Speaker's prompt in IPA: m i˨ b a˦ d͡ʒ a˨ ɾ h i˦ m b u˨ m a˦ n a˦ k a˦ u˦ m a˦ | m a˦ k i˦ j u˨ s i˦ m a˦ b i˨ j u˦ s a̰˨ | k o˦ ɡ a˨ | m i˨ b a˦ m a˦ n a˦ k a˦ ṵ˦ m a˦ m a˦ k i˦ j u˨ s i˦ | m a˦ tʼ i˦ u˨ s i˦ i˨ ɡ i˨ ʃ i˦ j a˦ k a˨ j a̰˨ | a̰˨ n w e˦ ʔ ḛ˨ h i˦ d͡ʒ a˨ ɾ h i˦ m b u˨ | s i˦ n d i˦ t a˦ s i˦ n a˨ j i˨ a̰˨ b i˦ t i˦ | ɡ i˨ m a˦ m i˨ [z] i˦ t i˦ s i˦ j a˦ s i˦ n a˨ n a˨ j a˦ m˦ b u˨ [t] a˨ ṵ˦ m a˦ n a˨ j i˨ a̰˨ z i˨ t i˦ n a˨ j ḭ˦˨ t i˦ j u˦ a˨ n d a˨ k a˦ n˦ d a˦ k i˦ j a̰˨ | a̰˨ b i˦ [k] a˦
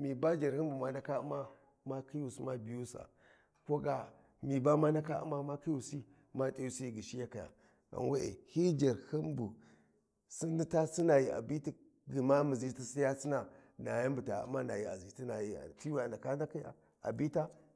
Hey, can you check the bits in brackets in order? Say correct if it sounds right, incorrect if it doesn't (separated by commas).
correct, correct, incorrect